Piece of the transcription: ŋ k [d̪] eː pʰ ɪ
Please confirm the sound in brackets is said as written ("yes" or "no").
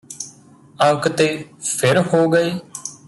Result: no